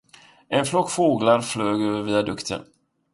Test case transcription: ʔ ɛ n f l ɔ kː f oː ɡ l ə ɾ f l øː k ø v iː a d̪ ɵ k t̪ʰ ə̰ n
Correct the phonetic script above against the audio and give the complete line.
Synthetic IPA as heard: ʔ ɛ n f l ɔ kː f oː ɡ l a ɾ f l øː ɡ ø v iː a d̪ ɵ k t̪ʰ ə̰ n